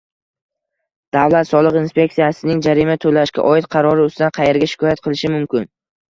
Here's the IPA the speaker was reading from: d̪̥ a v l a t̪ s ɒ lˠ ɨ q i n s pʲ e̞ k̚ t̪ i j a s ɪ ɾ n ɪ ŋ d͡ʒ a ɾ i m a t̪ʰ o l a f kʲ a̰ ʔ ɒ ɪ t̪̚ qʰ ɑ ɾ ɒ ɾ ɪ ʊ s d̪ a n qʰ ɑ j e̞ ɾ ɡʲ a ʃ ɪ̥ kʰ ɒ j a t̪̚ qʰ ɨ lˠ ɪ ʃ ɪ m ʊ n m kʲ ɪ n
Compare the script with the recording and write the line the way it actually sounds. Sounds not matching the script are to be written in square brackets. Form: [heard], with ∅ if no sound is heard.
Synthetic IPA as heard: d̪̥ a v l a t̪ s ɒ lˠ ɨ q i n s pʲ e̞ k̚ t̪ i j a s ɪ [∅] n ɪ ŋ d͡ʒ a ɾ i m a t̪ʰ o l a [ʃ] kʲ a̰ ʔ ɒ ɪ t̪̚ qʰ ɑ ɾ ɒ ɾ ɪ ʊ s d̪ a n qʰ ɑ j e̞ ɾ ɡʲ a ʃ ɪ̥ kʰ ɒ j a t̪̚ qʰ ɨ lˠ ɪ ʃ ɪ m ʊ [∅] m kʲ ɪ n